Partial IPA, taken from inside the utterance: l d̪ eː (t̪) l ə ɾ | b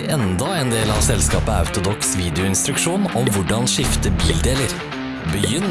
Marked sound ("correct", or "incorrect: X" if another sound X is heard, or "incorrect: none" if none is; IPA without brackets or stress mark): incorrect: none